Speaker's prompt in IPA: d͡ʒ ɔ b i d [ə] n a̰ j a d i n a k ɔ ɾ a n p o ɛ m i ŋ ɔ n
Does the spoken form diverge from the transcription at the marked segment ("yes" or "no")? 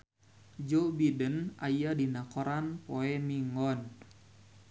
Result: no